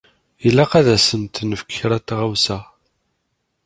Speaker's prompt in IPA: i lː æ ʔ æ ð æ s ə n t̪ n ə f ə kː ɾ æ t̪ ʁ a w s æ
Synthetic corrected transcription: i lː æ q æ ð æ s ə n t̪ n ə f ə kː ɾ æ t̪ ʁ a w s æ